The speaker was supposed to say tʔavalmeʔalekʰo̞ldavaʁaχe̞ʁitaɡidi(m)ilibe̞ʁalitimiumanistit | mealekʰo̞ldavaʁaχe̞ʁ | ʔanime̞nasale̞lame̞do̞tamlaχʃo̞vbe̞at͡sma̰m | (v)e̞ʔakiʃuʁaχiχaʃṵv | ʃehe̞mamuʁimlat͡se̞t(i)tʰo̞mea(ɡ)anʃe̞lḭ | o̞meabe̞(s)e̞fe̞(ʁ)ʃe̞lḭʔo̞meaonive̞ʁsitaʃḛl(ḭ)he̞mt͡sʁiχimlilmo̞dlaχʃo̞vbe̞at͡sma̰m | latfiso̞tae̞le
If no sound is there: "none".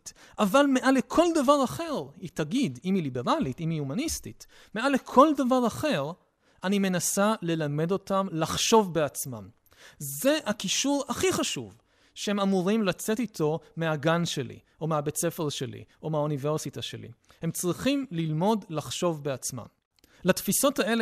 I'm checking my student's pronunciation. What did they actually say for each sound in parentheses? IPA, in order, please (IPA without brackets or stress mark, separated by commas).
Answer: m, z, i, ɡ, t͡s, ʁ, ḭ